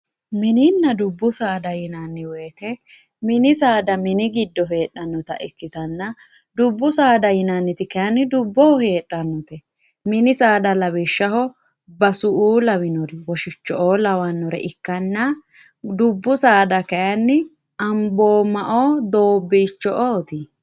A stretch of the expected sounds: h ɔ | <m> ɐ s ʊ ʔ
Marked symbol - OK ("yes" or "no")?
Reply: no